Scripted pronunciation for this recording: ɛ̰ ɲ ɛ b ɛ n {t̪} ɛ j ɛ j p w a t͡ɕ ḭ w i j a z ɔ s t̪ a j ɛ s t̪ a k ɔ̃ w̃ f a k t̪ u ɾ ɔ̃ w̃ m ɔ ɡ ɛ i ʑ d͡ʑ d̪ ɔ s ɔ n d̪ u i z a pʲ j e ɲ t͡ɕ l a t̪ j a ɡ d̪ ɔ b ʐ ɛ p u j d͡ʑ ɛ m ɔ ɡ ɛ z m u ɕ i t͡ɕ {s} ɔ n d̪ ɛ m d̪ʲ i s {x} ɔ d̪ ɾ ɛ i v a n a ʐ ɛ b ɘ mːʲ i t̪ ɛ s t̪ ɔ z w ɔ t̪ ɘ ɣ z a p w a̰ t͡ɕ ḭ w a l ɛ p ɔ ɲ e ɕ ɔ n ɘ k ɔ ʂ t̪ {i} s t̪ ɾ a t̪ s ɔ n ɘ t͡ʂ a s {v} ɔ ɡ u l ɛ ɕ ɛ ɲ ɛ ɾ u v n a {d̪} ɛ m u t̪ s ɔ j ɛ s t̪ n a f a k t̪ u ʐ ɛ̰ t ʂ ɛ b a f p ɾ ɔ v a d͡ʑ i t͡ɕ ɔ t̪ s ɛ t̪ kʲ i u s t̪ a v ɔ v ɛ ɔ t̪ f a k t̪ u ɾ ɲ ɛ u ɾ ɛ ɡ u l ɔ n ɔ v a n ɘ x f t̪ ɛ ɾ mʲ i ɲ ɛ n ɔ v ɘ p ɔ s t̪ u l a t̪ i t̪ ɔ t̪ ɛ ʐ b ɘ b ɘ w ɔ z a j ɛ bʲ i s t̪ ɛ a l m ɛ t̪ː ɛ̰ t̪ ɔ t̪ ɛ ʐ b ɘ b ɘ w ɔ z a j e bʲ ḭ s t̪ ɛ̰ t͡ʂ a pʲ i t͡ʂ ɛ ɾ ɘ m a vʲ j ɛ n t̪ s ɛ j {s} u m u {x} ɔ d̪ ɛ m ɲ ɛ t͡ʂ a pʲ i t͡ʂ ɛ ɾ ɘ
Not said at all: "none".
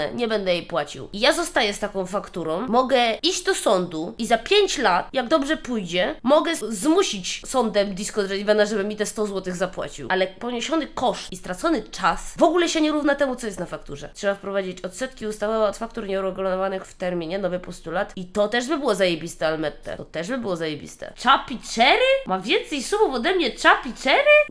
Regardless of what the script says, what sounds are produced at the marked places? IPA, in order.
d̪, s, k, i, v, t̪, s, f

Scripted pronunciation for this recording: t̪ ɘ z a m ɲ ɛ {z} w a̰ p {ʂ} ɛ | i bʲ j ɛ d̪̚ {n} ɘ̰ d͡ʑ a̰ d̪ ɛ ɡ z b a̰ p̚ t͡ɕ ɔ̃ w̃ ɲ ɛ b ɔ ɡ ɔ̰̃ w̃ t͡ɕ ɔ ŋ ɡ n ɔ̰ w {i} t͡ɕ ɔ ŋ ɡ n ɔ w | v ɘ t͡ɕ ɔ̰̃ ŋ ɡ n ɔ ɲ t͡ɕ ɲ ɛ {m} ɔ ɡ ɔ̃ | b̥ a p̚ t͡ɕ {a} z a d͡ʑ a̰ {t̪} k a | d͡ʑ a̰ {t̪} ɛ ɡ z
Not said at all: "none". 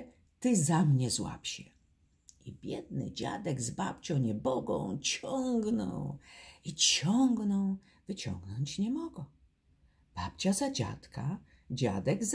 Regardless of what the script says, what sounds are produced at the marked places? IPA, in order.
z, ɕ, n, i, m, a, t̪, d̪

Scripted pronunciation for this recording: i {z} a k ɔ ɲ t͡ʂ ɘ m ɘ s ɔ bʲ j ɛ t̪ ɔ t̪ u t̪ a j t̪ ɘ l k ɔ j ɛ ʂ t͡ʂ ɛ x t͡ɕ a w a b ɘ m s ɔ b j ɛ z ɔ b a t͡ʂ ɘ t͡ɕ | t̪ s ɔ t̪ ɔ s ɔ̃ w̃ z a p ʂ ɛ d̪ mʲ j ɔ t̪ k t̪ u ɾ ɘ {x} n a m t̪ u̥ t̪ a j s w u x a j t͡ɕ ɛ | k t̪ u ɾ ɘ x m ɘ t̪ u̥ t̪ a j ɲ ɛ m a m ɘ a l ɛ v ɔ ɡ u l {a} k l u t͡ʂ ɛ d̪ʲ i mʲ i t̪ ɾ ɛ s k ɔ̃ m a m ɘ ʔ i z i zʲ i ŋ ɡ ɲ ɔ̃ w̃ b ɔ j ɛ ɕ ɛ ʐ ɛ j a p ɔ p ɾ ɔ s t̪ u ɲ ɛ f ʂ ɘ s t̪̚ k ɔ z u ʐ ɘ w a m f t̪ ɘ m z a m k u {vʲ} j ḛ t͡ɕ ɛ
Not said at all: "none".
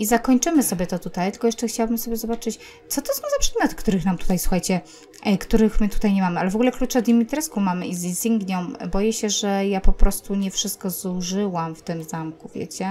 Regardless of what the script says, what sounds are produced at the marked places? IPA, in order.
z, x, ɛ, vʲ

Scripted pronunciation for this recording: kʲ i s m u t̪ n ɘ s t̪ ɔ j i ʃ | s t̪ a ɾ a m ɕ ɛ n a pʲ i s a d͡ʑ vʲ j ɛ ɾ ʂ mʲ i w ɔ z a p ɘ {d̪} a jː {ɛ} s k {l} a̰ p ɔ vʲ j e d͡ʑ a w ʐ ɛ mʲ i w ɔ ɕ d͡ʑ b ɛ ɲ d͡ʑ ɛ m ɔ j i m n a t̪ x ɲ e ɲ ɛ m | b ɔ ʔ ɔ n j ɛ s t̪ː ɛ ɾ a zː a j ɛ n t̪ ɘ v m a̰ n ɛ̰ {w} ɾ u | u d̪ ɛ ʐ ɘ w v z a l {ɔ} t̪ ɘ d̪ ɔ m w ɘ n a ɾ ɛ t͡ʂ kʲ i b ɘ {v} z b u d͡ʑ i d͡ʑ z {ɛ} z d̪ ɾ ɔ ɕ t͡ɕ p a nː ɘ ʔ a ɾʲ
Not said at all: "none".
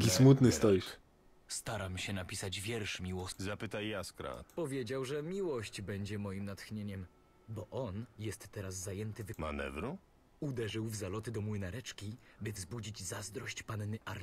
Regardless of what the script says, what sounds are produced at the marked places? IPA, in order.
t̪, a, ɾ, v, ɔ, v, a

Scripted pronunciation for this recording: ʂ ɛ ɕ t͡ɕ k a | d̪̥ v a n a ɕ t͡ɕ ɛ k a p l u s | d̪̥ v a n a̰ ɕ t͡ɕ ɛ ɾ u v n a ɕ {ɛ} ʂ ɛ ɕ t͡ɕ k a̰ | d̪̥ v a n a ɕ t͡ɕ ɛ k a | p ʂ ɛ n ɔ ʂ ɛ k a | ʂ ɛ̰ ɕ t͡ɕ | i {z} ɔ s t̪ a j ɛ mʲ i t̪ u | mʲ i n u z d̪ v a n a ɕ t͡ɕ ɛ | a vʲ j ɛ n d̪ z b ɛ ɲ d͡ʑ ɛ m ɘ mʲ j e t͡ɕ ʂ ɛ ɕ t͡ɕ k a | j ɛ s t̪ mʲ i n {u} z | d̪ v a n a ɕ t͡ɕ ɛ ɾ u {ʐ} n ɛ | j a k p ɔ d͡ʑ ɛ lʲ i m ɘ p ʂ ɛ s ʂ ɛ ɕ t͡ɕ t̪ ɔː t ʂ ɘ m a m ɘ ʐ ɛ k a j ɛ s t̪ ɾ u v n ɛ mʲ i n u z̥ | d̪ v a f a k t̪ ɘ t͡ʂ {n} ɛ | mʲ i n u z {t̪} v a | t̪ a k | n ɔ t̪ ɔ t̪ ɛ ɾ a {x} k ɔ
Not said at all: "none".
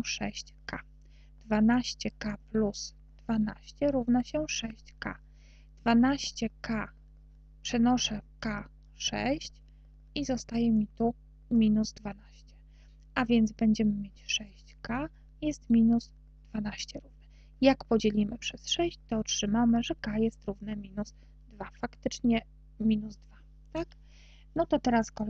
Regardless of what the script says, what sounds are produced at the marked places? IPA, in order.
ɛ, z, u, v, ɲ, d̪, s

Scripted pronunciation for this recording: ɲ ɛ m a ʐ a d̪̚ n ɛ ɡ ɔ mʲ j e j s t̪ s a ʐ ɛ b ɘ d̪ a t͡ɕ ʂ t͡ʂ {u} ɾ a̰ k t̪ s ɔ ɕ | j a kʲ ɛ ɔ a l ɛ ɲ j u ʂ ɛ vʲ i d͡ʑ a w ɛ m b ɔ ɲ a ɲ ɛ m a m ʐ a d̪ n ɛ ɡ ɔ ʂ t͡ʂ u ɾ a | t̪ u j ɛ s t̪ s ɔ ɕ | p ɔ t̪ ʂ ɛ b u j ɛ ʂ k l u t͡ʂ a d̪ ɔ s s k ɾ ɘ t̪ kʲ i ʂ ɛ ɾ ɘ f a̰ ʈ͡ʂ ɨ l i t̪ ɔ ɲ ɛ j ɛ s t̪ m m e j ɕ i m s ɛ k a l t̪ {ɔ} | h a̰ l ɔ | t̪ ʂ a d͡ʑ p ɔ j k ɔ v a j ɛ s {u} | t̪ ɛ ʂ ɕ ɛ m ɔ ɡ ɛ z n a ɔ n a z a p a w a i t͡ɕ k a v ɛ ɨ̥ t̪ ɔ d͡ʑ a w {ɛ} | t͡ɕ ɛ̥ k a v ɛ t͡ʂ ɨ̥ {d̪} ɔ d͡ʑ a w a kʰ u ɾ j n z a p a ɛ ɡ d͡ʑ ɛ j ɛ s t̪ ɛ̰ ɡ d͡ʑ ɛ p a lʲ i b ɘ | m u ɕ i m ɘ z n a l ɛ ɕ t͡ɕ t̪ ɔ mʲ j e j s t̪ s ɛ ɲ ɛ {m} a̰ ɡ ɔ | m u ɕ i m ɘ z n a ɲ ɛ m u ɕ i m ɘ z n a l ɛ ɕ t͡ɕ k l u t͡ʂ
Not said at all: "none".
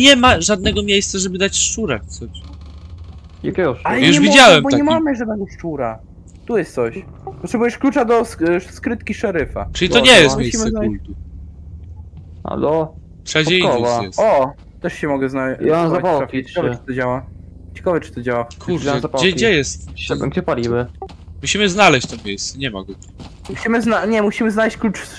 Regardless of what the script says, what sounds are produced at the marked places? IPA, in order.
u, u, ɔ, a, t̪, m

